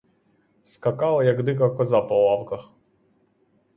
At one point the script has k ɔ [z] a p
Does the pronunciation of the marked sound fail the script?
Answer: no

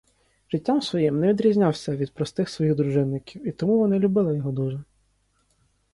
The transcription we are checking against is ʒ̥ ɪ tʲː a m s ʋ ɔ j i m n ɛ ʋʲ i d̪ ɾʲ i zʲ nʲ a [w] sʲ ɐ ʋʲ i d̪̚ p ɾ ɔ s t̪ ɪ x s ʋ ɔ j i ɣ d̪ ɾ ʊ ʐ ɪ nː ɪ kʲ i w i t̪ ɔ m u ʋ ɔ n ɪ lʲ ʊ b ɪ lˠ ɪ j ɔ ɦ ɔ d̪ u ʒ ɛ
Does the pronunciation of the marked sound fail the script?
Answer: no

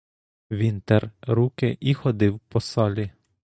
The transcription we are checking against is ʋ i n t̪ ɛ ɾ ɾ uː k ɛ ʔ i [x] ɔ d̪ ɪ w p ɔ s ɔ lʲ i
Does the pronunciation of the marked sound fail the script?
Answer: no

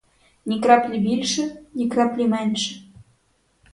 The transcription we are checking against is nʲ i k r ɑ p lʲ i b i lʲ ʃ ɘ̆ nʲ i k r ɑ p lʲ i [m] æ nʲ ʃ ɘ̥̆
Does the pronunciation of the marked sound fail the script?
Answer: no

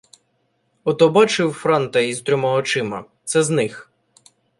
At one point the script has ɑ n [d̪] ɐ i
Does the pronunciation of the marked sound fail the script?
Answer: yes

